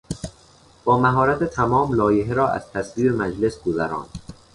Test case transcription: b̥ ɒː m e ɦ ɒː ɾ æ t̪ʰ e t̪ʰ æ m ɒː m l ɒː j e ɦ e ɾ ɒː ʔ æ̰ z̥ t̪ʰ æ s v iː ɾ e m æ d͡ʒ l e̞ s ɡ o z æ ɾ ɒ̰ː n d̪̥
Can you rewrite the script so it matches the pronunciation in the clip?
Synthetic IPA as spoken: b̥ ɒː m æ ɦ ɒː ɾ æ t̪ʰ e t̪ʰ æ m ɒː m l ɒː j e ɦ e ɾ ɒː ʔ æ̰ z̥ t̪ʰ æ s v iː ɾ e m æ d͡ʒ l e̞ s ɡ o z æ ɾ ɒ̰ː n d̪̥